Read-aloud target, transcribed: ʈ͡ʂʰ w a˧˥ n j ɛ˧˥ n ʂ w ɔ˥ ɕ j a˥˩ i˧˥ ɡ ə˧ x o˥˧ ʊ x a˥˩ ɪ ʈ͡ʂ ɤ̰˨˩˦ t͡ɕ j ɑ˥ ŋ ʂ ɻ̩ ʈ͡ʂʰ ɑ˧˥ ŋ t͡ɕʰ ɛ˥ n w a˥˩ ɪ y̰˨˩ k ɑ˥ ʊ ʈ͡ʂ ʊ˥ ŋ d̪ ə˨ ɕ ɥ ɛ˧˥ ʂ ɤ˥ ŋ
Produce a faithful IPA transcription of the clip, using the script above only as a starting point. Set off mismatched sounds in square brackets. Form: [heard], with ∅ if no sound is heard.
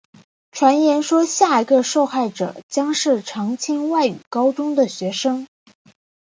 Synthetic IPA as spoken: ʈ͡ʂʰ w a˧˥ n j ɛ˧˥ n ʂ w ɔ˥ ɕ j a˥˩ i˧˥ ɡ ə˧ [ʂ] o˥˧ ʊ x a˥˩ ɪ ʈ͡ʂ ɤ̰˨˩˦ t͡ɕ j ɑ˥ ŋ ʂ ɻ̩ ʈ͡ʂʰ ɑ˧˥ ŋ t͡ɕʰ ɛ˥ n w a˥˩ ɪ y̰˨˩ k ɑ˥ ʊ ʈ͡ʂ ʊ˥ ŋ d̪ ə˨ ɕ ɥ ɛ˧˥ ʂ ɤ˥ ŋ